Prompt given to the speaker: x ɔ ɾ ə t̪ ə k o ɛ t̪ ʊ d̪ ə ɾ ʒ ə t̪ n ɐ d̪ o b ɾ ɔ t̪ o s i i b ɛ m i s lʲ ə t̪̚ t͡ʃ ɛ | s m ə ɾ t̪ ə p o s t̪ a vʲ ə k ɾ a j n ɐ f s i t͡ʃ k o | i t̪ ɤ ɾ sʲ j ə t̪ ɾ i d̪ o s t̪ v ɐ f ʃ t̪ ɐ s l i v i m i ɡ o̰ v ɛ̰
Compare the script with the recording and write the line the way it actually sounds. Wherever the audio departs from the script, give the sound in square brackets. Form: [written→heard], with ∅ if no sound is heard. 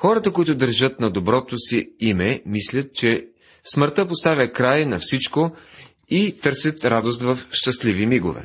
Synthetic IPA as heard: x ɔ ɾ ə t̪ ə k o [ɛ→i] t̪ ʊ d̪ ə ɾ ʒ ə t̪ n ɐ d̪ o b ɾ ɔ t̪ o s i i [b→m] ɛ m i s lʲ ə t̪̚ t͡ʃ ɛ | s m ə ɾ t̪ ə p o s t̪ a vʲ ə k ɾ a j n ɐ f s i t͡ʃ k o | i t̪ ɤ ɾ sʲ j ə t̪ ɾ [i→a] d̪ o s t̪ v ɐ f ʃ t̪ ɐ s l i v i m i ɡ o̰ v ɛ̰